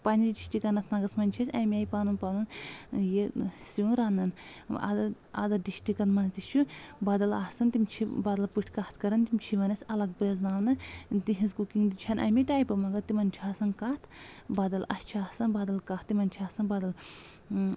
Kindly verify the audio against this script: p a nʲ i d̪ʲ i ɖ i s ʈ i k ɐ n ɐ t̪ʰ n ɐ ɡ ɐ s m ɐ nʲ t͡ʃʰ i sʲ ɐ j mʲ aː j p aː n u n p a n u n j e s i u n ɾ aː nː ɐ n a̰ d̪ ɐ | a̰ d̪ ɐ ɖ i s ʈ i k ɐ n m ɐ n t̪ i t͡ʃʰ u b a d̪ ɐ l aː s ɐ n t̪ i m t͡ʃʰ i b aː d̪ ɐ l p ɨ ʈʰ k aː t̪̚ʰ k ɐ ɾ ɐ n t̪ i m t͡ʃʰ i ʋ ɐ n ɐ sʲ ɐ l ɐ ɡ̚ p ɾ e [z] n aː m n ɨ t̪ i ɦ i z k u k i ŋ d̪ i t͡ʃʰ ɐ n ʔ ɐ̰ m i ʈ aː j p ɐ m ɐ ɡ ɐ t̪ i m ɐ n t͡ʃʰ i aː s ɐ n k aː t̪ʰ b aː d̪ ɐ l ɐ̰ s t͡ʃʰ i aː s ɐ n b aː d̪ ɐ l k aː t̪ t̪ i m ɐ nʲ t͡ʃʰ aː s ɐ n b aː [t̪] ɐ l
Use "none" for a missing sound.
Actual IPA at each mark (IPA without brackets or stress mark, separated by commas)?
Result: z, d̪